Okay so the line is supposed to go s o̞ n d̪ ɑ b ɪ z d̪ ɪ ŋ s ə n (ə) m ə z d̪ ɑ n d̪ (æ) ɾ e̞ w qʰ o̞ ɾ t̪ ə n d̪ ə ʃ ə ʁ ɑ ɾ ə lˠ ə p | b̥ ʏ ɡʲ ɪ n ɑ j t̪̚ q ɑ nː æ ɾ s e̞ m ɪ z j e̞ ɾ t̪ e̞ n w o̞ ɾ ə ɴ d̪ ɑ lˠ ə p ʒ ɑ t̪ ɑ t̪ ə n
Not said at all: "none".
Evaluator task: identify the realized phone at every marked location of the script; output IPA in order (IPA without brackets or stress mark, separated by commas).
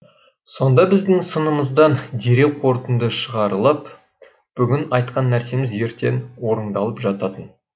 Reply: ə, e